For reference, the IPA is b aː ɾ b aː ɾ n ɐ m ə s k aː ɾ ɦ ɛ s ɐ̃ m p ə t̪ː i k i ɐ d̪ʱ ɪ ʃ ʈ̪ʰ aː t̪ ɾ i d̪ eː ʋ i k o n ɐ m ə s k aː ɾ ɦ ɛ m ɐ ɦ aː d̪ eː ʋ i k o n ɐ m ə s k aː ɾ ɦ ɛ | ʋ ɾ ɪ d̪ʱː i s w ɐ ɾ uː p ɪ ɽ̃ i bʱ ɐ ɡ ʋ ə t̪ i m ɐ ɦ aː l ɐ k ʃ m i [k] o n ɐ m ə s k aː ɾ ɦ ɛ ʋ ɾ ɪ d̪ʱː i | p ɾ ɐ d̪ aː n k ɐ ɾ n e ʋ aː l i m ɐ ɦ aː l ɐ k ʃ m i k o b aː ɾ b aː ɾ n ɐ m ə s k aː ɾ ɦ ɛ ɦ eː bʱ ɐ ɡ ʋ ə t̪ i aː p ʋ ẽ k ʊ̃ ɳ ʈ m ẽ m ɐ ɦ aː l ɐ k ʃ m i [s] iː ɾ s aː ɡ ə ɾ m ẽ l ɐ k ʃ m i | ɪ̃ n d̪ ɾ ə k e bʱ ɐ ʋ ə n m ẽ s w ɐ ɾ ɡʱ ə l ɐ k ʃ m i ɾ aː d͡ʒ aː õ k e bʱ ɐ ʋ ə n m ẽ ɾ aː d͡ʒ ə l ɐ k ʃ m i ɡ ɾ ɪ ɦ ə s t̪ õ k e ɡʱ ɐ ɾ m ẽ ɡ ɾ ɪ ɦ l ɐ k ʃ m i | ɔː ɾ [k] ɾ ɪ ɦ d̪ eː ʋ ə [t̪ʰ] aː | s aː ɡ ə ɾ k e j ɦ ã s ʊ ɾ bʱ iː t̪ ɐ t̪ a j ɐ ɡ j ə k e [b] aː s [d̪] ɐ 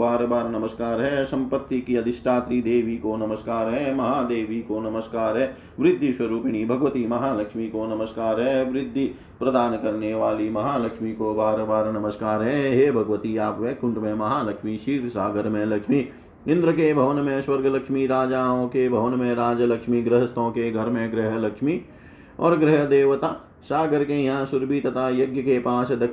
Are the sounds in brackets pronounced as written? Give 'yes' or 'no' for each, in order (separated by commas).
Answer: yes, no, no, no, no, yes